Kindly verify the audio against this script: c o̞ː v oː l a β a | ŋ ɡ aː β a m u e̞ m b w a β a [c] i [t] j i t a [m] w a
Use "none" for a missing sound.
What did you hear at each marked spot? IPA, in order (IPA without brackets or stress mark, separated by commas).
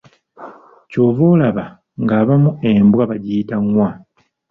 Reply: ɟ, none, ŋ